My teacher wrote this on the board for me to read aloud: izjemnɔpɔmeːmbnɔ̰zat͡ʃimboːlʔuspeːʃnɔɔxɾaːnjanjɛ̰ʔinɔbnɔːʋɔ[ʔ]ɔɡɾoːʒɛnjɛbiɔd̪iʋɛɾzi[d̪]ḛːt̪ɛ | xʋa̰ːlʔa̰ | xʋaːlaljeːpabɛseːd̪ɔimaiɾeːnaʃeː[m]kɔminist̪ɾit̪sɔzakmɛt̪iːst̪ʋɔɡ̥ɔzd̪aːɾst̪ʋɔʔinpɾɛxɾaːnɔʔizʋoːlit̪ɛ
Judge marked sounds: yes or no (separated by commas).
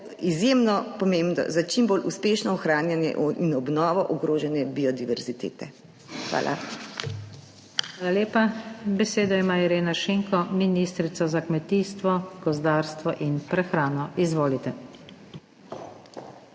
yes, no, no